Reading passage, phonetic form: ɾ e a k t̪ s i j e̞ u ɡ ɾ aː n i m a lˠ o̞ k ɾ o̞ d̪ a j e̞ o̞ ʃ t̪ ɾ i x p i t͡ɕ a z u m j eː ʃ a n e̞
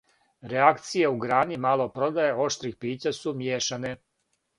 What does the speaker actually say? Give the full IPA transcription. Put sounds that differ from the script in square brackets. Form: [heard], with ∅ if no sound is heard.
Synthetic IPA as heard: ɾ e a k t̪ s i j e̞ u ɡ ɾ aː n i m a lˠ o̞ [p] ɾ o̞ d̪ a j e̞ o̞ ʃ t̪ ɾ i x p [iː] t͡ɕ a [s] u m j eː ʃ a n e̞